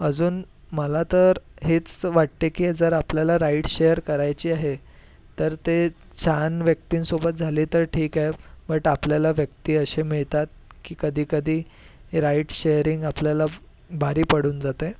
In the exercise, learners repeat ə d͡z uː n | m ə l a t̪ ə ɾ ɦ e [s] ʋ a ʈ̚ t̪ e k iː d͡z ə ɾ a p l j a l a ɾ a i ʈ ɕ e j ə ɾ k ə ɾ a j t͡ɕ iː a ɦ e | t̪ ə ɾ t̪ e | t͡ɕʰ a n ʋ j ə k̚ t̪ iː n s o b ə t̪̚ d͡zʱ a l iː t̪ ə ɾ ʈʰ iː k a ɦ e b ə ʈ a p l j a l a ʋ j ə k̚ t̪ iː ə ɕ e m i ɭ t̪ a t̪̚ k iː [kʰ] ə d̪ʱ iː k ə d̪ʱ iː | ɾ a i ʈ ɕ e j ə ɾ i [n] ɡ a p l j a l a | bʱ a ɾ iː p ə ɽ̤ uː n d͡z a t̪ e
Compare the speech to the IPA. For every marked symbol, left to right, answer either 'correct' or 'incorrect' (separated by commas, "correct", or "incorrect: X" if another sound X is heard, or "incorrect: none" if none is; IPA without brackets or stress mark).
incorrect: t͡s, incorrect: k, incorrect: ŋ